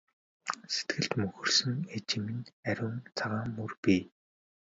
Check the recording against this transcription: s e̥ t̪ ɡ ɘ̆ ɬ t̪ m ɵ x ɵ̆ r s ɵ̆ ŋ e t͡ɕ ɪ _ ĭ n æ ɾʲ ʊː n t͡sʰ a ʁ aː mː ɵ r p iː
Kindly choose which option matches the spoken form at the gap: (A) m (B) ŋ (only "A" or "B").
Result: A